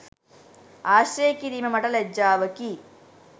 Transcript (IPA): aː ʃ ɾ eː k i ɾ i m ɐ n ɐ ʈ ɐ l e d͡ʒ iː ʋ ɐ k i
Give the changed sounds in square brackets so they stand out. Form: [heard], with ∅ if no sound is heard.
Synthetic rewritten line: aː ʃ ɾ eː k i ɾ i m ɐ [m] ɐ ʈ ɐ l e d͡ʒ [aː] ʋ ɐ k i

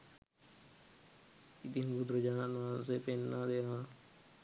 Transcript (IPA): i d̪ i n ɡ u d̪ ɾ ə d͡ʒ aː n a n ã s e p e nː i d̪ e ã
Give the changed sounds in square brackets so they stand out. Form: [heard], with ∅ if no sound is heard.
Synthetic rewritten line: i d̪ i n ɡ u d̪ ɾ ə d͡ʒ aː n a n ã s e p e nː [a] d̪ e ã

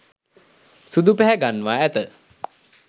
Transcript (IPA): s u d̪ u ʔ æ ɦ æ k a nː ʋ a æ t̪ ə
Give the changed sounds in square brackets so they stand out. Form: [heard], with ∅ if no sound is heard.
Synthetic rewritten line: s u d̪ u [p] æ ɦ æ [ɡ] a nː ʋ a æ t̪ ə

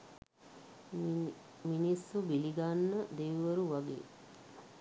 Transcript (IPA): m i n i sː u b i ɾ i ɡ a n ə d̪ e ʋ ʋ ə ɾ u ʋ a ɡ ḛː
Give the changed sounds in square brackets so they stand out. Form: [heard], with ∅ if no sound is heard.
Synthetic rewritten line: m i n i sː u b i [l] i ɡ a [nː] ə d̪ e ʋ ʋ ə ɾ u ʋ a ɡ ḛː

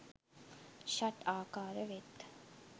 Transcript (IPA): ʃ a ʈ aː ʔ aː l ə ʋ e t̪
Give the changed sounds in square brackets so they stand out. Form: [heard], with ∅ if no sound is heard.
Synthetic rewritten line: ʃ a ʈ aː [k] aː [ɾ] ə ʋ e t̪

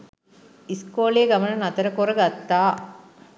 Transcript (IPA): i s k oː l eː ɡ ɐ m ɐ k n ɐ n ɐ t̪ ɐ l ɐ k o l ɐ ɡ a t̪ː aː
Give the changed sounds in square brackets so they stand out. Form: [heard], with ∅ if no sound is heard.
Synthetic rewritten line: i s k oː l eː ɡ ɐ m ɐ [∅] n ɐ n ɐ t̪ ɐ [ɾ] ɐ k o [ɾ] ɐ ɡ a t̪ː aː

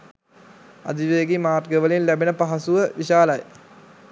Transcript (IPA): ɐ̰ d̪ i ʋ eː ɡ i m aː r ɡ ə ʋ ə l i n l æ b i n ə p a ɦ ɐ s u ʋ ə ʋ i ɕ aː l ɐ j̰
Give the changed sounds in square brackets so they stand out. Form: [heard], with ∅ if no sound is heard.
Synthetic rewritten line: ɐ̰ d̪ i ʋ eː ɡ i m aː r ɡ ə ʋ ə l i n l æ b i n ə p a ɦ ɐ s u ʋ ə ʋ i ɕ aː l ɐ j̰

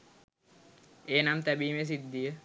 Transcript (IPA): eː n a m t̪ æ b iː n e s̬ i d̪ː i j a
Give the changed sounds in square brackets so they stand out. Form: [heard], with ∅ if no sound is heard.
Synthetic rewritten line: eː n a m t̪ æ b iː [m] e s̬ i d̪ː i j [ə]

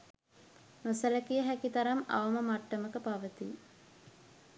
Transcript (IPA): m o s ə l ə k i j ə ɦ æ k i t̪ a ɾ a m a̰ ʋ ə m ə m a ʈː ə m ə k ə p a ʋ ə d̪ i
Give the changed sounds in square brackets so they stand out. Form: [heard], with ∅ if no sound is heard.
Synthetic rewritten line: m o s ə l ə k i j ə ɦ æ k i t̪ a ɾ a m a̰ ʋ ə m ə m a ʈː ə m ə k ə p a ʋ ə [t̪] i

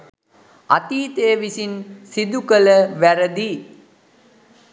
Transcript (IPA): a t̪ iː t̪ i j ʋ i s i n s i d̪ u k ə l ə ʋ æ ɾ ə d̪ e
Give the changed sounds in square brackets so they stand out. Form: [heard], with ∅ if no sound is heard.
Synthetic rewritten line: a t̪ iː t̪ [e] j ʋ i s i n s i d̪ u k ə l ə ʋ æ ɾ ə d̪ [i]

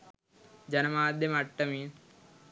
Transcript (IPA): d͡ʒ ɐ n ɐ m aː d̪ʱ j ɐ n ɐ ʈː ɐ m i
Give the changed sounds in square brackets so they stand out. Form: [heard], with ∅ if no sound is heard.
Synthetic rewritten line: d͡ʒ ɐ n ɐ m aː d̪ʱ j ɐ [m] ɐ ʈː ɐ m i

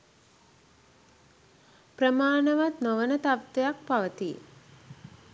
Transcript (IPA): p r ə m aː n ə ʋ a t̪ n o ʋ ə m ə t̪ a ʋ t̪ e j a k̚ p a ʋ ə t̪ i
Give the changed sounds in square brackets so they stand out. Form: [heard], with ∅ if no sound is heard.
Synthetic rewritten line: p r ə m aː n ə ʋ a t̪ n o ʋ ə [n] ə t̪ a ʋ t̪ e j a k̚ p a ʋ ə t̪ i

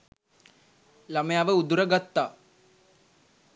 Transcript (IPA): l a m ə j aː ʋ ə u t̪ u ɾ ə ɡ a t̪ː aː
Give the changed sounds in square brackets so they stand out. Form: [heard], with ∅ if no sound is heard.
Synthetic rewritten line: l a m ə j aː ʋ ə u [d̪] u ɾ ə ɡ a t̪ː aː

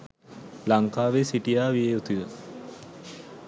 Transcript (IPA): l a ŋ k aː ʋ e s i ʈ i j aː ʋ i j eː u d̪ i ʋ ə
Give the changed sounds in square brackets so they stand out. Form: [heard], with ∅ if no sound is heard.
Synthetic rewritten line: l a ŋ k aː ʋ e s i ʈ i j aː ʋ i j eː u [t̪] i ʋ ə

